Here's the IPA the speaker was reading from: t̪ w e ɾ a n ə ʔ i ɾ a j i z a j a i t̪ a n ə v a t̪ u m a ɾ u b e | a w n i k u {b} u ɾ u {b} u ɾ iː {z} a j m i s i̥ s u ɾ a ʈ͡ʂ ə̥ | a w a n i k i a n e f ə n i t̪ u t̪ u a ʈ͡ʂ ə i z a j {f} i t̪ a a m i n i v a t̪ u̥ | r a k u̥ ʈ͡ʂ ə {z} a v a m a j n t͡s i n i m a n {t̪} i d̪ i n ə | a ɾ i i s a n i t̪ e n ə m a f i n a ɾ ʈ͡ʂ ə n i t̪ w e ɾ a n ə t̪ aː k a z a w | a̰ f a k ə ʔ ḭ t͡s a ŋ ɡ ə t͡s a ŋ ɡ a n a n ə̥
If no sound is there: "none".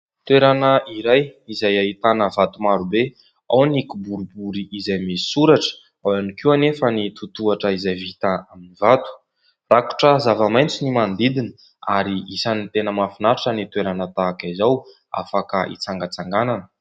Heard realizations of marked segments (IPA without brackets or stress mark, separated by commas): b, b, z, v, z, d̪